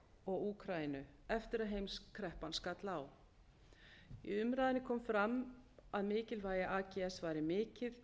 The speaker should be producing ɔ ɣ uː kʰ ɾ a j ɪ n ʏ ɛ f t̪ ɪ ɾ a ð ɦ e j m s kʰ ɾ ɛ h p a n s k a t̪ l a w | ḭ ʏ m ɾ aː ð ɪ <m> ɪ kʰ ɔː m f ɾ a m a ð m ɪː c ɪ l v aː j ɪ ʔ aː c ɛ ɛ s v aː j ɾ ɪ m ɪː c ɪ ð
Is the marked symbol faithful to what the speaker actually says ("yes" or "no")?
no